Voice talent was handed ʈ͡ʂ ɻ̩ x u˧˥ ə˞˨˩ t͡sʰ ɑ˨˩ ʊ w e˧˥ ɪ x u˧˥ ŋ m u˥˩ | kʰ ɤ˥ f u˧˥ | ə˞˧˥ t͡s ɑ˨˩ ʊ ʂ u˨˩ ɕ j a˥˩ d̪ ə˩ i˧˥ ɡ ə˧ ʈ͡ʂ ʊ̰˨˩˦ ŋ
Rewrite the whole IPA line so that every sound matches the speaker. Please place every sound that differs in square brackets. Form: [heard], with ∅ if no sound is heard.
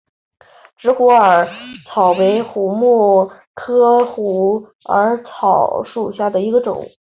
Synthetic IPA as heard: ʈ͡ʂ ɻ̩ x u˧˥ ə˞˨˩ t͡sʰ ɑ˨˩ ʊ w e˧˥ ɪ x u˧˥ [∅] m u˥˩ | kʰ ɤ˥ [x] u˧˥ | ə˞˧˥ [t͡sʰ] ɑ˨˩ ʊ ʂ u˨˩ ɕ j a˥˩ d̪ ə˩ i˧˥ ɡ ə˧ ʈ͡ʂ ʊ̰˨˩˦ ŋ